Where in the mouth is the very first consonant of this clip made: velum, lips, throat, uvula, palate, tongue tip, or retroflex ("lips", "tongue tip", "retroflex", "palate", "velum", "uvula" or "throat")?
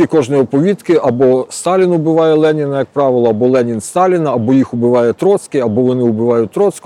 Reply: velum